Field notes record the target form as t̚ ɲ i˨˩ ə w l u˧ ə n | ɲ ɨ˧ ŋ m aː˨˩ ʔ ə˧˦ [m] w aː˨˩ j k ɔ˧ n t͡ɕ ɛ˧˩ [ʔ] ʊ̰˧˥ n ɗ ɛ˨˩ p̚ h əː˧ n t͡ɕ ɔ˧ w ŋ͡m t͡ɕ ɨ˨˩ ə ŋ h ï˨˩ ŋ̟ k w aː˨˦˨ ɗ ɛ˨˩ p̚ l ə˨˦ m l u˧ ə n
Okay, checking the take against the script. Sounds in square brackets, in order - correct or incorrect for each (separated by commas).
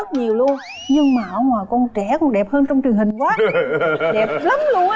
incorrect, incorrect